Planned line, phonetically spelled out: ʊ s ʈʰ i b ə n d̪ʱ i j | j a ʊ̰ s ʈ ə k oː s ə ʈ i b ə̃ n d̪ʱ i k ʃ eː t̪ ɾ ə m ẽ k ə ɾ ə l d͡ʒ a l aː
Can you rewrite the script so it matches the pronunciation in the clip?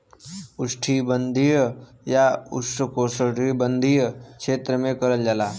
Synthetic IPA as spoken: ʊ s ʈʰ i b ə n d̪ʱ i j | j a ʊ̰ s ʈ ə k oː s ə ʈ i b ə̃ n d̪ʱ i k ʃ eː t̪ ɾ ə m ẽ k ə ɾ ə l d͡ʒ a l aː